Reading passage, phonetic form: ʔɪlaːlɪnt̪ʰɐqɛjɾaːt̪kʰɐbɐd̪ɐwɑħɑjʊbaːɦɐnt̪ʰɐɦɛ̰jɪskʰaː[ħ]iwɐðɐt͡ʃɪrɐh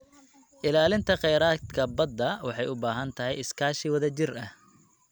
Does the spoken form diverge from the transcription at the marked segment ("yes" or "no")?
yes